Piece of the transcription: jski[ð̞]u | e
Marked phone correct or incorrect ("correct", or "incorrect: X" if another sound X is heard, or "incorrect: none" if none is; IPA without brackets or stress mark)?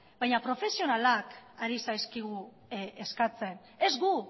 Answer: incorrect: ɣ̞